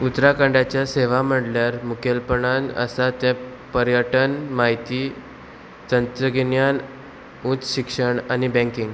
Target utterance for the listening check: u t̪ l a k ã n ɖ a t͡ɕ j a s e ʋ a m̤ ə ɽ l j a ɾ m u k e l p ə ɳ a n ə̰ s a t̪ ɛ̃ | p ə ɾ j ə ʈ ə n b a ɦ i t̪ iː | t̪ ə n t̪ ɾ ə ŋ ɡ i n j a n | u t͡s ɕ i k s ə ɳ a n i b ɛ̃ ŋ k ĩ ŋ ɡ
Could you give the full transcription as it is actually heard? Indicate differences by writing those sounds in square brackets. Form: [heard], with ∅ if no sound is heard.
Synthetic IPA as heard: u t̪ [ɾ] a k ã [ɳ] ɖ a t͡ɕ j a s e ʋ a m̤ ə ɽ l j a ɾ m u k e l p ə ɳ a n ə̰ s a t̪ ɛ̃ | p ə ɾ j ə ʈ ə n [m] a ɦ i t̪ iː | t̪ ə n t̪ ɾ ə [∅] ɡ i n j a n | u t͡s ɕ i k [ʂ] ə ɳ a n i b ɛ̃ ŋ k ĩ ŋ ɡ